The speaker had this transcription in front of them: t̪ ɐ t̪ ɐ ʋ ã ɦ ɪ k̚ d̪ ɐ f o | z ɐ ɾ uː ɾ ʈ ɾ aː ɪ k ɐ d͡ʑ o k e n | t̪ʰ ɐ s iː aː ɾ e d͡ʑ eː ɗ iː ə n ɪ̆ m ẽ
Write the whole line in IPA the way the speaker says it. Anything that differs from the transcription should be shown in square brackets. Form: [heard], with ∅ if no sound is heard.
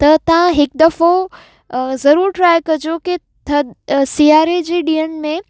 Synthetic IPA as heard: t̪ ɐ t̪ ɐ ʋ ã ɦ ɪ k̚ d̪ ɐ f o | z ɐ ɾ uː ɾ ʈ ɾ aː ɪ k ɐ d͡ʑ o k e [∅] | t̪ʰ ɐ s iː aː ɾ e d͡ʑ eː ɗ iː ə n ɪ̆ m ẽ